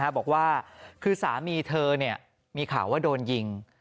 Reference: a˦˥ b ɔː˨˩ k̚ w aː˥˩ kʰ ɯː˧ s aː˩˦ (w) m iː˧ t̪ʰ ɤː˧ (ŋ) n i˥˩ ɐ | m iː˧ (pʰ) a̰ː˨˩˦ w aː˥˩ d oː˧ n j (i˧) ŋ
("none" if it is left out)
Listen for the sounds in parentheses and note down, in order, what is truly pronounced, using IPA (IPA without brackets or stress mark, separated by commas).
none, none, kʰ, i˧